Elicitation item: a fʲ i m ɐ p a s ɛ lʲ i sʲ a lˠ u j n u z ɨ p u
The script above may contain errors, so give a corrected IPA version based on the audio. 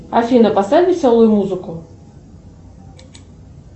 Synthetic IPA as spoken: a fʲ i n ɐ p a s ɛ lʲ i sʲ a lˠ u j m u z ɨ k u